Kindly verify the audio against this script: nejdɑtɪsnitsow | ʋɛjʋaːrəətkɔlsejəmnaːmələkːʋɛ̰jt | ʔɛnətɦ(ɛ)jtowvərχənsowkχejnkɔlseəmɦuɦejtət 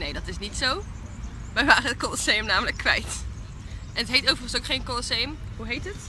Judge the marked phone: incorrect: e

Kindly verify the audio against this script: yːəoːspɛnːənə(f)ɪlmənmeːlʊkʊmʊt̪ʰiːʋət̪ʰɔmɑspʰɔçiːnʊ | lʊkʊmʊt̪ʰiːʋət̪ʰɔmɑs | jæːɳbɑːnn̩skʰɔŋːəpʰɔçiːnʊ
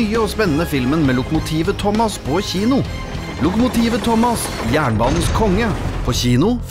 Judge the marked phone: correct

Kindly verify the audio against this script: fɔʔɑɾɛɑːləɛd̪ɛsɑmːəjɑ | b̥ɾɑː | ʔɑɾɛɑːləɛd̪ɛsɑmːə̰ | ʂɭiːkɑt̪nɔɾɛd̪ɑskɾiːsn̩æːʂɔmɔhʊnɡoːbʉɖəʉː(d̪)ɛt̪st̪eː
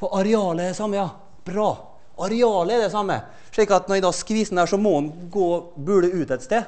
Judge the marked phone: incorrect: t̪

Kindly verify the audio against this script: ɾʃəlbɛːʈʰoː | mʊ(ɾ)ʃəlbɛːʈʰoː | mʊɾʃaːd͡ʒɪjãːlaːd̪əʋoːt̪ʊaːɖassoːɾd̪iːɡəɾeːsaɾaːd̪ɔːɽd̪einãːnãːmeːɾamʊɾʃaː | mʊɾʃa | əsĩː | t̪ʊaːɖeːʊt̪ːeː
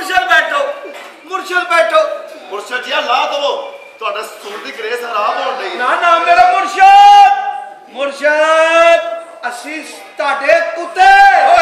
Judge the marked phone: correct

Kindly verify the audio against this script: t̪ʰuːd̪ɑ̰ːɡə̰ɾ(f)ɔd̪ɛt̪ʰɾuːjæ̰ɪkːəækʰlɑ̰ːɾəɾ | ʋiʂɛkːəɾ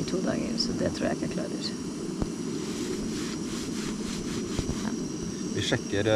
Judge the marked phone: incorrect: s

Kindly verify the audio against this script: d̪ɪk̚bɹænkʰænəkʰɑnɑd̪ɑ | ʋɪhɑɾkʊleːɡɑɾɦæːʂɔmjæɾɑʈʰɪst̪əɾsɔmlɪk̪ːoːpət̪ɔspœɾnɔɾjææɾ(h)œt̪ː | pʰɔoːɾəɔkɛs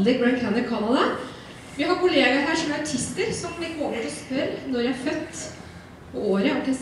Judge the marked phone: incorrect: f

